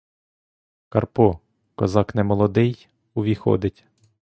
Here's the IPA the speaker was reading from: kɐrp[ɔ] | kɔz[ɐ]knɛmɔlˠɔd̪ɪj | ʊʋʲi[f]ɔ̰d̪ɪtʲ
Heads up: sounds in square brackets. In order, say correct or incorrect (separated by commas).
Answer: correct, incorrect, incorrect